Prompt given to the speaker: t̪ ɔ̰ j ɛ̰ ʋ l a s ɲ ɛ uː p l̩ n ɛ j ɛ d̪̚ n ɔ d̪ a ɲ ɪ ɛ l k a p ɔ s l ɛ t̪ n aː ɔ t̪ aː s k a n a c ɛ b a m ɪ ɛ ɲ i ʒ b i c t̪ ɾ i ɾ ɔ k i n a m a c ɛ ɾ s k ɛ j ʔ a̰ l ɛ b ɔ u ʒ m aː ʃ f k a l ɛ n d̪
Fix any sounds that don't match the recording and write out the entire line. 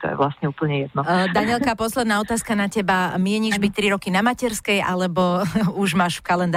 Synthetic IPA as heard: t̪ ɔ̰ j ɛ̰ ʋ l a s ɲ ɛ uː p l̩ ɲ ɛ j ɛ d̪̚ n ɔ d̪ a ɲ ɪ ɛ l k a p ɔ s l ɛ d̪ n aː ɔ t̪ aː s k a n a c ɛ b a m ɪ ɛ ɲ i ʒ b i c t̪ ɾ i ɾ ɔ k i n a m a c ɛ ɾ s k ɛ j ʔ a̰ l ɛ b ɔ u ʒ m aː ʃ f k a l ɛ n d̪